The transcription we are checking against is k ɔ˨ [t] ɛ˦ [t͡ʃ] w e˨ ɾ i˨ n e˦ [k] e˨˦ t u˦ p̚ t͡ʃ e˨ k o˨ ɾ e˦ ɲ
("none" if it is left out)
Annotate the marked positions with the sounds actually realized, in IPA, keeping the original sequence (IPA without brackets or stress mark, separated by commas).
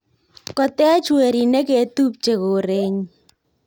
t, t͡ʃ, k